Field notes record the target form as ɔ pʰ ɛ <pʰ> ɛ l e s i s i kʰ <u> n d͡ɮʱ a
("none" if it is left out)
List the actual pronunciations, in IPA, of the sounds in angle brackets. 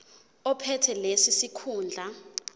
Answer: tʰ, uː

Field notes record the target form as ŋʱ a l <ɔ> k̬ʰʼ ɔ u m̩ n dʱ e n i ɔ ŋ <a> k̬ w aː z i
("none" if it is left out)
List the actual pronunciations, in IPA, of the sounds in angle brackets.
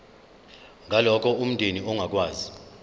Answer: ɔ, a

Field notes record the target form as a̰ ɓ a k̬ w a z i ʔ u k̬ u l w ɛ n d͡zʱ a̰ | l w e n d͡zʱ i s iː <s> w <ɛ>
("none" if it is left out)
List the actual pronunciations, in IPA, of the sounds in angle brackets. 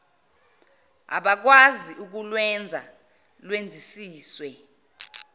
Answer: s, ɛ

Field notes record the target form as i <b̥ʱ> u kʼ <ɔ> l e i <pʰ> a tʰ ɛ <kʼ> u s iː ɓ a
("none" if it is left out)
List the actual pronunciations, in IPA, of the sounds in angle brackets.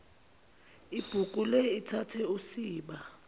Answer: b̥ʱ, u, tʰ, none

